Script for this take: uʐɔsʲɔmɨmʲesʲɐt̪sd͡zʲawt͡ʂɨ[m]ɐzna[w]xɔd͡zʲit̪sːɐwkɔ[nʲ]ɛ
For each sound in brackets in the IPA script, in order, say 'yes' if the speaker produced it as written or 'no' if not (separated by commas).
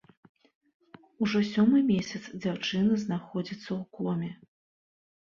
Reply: no, no, no